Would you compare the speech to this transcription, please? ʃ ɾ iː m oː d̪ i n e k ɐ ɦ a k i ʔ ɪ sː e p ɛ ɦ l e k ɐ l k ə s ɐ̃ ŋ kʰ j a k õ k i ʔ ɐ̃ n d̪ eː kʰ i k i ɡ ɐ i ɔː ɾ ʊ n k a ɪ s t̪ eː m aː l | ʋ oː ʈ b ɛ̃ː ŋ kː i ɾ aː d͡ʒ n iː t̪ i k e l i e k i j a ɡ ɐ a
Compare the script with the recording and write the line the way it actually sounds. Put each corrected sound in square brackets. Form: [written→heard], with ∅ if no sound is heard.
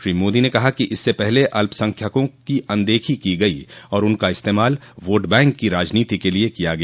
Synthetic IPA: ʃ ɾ iː m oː d̪ i n e k ɐ ɦ a k i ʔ ɪ sː e p ɛ ɦ l e [k→ʔ] ɐ l [k→p] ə s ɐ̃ ŋ kʰ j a k õ k i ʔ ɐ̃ n d̪ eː kʰ i k i ɡ ɐ i ɔː ɾ ʊ n k a ɪ s t̪ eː m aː l | ʋ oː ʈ b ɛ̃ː ŋ kː i ɾ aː d͡ʒ n iː t̪ i k e l i e k i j a ɡ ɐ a